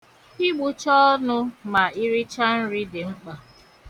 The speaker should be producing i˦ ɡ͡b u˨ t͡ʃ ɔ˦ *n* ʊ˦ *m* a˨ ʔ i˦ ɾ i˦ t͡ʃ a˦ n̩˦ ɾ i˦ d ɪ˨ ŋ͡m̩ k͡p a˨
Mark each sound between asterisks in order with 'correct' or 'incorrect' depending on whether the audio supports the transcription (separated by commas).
correct, correct